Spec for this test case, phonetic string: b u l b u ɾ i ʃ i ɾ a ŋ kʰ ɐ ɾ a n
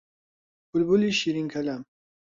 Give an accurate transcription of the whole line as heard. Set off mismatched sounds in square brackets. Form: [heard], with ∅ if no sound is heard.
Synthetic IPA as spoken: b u l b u [l] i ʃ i ɾ [i] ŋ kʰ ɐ [l] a [m]